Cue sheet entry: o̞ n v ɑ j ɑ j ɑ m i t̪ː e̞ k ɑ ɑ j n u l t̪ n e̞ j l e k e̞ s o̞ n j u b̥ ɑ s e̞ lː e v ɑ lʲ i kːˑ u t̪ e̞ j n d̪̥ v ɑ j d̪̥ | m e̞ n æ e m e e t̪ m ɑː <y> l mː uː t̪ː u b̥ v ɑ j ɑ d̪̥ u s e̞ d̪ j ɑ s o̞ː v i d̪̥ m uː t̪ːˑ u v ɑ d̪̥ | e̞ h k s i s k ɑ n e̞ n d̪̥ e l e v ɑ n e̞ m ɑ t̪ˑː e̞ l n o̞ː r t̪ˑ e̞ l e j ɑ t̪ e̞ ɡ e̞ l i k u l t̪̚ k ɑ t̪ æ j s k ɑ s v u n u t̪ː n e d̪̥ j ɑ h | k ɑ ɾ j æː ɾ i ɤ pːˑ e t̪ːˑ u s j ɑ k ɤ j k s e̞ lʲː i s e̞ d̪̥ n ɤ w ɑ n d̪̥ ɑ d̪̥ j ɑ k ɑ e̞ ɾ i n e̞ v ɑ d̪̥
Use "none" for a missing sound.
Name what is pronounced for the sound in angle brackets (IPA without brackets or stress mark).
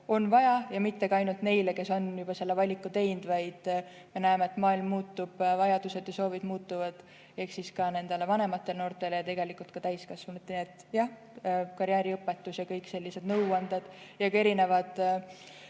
i